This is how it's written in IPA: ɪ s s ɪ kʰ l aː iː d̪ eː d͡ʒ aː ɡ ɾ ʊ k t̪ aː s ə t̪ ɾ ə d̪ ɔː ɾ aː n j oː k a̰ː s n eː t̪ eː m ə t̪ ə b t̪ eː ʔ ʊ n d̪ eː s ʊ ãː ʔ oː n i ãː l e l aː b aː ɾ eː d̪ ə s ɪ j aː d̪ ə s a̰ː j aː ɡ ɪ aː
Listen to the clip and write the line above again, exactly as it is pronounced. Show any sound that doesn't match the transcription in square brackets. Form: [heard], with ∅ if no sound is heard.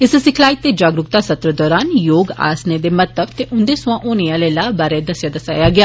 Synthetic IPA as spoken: ɪ s s ɪ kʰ l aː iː [t̪] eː d͡ʒ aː ɡ ɾ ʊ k t̪ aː s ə t̪ ɾ ə d̪ ɔː ɾ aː n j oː [ɡ] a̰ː s n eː [d̪] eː m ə t̪ ə b t̪ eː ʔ ʊ n d̪ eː s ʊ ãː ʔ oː n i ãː l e l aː b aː ɾ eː d̪ ə s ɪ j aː d̪ ə s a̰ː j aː ɡ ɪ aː